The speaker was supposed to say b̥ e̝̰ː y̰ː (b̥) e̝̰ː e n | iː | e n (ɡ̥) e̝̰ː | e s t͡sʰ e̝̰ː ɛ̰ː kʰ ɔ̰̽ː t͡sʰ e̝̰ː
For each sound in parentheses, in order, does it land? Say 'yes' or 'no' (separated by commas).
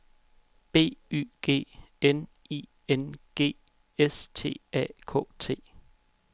no, yes